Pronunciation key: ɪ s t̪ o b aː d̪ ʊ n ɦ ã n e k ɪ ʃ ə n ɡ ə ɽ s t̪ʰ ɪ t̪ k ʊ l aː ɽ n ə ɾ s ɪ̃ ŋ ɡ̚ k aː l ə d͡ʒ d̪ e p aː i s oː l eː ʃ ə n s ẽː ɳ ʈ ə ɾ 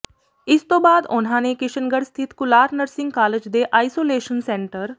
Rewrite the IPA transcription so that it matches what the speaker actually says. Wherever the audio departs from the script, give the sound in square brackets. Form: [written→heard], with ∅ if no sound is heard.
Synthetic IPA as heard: ɪ s t̪ o b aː d̪ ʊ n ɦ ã n e k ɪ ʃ ə n ɡ ə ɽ s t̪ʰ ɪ t̪ k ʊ l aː [ɽ→ɾ] n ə ɾ s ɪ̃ ŋ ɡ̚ k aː l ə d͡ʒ d̪ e [p→ʔ] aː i s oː l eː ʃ ə n s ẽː ɳ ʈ ə ɾ